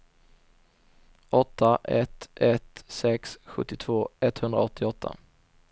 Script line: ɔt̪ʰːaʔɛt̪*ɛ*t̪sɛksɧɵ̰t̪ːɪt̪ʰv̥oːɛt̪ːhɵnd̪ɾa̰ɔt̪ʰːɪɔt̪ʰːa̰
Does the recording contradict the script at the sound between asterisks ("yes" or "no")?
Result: no